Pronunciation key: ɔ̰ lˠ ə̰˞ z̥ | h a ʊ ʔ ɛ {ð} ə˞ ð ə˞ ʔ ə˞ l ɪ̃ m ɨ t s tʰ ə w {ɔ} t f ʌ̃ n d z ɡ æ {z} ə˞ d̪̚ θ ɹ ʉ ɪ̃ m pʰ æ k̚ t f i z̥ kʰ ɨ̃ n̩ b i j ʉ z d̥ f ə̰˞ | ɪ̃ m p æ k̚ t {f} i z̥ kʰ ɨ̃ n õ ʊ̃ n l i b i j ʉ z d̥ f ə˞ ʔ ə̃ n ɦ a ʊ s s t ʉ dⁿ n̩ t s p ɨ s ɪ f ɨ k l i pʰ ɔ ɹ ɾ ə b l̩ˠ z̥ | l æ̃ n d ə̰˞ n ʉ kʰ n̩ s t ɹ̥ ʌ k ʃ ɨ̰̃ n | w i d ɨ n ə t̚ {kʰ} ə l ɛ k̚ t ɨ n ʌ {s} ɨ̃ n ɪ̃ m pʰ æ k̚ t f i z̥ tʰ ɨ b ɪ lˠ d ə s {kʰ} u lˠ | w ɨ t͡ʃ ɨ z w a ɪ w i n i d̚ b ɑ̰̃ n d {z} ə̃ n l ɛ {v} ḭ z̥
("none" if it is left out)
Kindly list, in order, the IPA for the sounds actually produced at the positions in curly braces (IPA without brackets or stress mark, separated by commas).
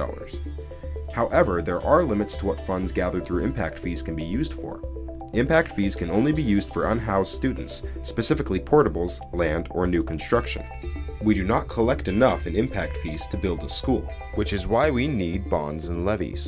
v, ʌ, ð, f, kʰ, f, k, z, v